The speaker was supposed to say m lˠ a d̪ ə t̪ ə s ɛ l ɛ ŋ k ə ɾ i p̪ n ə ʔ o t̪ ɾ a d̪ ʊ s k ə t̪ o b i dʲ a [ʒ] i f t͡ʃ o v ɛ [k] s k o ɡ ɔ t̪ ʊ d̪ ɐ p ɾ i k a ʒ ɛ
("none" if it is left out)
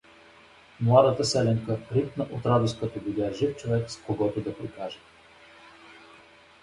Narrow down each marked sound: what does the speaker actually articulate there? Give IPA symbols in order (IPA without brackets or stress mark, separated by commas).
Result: ʒ, k